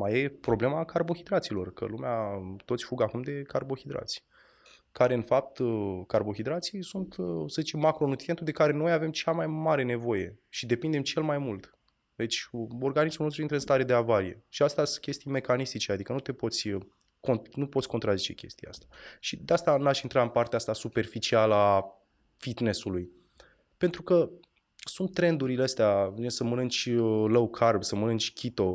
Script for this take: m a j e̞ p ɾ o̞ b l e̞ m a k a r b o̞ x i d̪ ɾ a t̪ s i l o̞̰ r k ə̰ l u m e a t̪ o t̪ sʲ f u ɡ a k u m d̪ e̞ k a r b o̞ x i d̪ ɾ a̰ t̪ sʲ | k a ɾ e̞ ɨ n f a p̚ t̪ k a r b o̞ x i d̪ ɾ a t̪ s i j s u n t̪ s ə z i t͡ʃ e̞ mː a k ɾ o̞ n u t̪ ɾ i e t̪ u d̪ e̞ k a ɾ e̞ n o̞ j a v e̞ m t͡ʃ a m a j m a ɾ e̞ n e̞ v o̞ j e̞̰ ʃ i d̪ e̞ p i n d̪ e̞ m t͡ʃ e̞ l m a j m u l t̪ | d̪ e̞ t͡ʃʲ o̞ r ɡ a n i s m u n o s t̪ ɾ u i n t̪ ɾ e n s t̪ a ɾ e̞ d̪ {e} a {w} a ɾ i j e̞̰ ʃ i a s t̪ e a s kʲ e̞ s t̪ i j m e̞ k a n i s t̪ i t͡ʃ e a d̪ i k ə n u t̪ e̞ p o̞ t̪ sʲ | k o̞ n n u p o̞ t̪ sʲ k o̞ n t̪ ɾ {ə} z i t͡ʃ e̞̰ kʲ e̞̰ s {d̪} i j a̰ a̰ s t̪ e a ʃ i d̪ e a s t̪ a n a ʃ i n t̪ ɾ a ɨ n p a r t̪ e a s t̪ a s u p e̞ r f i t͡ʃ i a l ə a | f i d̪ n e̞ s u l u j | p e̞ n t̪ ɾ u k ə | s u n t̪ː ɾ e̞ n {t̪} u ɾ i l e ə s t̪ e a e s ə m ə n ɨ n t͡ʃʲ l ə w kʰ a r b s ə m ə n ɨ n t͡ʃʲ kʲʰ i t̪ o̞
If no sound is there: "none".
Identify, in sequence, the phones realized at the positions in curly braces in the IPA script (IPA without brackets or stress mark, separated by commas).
e, v, a, t̪, d̪